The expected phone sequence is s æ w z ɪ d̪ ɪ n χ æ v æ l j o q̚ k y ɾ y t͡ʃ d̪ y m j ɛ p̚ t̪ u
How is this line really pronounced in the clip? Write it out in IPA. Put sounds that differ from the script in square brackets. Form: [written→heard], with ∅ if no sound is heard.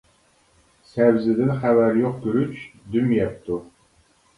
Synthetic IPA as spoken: s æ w z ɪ d̪ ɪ n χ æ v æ [l→ɾ] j o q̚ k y ɾ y t͡ʃ d̪ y m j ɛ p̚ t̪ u